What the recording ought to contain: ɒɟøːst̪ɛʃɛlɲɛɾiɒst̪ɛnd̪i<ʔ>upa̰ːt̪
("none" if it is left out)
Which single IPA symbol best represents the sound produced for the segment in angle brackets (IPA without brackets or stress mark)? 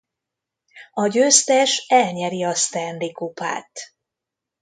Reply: k